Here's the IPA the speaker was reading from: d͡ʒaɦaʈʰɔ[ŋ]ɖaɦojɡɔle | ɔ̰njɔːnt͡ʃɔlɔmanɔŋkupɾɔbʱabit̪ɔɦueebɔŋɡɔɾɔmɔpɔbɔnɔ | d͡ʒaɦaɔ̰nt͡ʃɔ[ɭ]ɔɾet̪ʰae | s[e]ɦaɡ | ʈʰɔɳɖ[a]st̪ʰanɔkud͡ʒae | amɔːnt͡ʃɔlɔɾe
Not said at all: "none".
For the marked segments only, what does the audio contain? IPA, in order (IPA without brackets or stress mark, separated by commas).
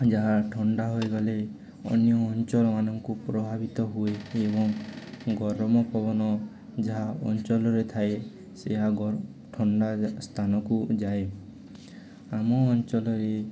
ɳ, l, e, a